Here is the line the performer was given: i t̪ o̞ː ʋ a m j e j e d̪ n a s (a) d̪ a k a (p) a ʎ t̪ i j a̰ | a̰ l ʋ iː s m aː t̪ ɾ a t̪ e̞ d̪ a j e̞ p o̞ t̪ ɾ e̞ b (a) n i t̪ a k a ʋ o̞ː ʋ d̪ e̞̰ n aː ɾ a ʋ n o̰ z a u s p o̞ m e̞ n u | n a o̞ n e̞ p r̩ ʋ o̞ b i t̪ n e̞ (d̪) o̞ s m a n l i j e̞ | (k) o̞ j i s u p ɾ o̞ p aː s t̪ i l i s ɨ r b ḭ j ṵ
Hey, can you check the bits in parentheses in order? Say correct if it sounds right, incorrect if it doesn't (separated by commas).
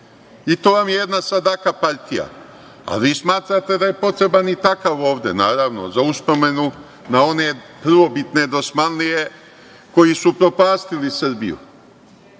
correct, correct, correct, correct, correct